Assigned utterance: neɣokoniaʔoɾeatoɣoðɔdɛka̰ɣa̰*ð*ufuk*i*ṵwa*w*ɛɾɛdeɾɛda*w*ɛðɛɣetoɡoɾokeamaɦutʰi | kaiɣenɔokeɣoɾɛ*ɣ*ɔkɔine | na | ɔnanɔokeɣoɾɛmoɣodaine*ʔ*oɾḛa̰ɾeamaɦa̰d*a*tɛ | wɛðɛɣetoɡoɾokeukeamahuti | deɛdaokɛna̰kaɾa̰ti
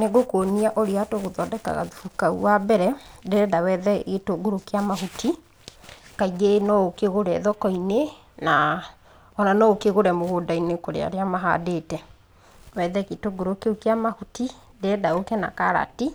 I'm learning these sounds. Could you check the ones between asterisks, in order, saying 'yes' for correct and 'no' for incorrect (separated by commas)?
yes, no, no, yes, no, no, no